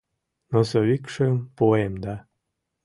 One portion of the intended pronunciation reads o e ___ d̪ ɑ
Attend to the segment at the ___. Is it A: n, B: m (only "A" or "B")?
B